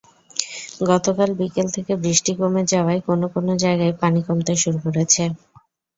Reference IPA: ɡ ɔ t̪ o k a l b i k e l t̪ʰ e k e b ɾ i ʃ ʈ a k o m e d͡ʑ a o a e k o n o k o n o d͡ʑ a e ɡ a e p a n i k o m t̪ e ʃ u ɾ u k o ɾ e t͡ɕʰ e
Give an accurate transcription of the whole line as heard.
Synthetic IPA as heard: ɡ ɔ t̪ o k a l b i k e l t̪ʰ e k e b ɾ i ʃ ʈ i k o m e d͡ʑ a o a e k o n o k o n o d͡ʑ a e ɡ a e p a n i k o m t̪ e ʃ u ɾ u k o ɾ e t͡ɕʰ e